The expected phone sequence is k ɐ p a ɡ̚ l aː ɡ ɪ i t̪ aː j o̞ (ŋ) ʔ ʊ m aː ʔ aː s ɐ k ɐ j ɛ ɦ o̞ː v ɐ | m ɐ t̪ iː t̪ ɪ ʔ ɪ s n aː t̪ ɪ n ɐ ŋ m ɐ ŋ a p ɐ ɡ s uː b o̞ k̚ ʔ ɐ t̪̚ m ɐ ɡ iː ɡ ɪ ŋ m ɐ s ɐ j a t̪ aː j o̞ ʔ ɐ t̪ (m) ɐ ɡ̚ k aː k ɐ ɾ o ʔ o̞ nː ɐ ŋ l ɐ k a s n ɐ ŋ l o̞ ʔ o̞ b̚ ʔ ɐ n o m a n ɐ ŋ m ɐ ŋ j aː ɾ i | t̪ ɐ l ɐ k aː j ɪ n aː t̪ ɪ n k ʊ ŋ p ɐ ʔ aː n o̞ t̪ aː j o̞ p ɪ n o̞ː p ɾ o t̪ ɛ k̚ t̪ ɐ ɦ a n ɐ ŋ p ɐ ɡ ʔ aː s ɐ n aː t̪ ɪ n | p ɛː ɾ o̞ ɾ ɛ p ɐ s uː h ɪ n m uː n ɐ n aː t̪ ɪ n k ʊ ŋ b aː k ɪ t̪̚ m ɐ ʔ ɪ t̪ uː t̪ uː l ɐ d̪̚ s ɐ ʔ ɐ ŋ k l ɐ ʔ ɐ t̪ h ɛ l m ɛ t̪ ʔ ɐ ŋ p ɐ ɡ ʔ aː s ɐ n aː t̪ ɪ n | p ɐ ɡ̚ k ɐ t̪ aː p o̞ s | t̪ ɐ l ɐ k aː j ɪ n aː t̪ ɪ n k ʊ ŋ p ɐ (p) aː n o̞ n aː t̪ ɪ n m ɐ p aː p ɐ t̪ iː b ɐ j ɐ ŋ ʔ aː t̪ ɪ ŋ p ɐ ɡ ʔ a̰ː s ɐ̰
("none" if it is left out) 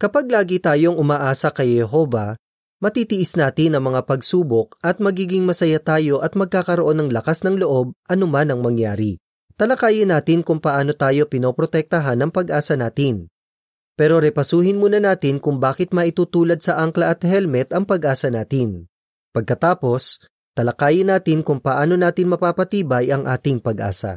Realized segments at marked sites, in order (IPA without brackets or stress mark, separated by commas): ŋ, m, ʔ